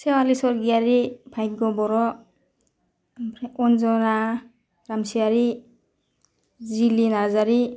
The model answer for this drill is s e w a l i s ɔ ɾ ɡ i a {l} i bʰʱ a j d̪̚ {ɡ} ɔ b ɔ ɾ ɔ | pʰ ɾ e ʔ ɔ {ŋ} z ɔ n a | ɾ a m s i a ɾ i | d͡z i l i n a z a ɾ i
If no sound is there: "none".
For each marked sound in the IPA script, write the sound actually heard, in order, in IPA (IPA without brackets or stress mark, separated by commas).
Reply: ɾ, ɡ, n